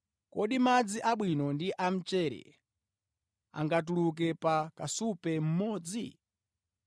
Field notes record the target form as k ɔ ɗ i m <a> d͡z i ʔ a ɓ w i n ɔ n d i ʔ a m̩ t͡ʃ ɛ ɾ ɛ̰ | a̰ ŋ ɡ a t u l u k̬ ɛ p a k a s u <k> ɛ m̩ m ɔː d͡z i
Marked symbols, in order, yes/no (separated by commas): yes, no